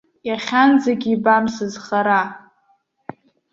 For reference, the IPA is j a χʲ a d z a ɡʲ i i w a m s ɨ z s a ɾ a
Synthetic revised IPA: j a χʲ a n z a ɡʲ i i b a m s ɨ z χ a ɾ a

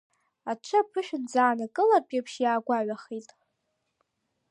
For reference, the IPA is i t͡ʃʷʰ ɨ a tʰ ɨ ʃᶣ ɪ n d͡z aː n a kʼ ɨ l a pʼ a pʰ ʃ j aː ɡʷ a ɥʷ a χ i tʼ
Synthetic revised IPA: a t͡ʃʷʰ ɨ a pʰ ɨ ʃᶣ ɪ n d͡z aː n a kʼ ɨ l a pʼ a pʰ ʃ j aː ɡʷ a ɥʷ a χ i tʼ

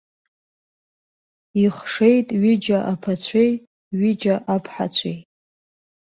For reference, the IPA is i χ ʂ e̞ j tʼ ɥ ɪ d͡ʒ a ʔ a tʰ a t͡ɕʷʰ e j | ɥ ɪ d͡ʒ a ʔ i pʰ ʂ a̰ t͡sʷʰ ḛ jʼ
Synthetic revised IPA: i χ ʂ e̞ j tʼ ɥ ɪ d͡ʒ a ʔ a pʰ a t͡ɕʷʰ e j | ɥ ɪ d͡ʒ a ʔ a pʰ ħ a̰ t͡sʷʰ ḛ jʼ

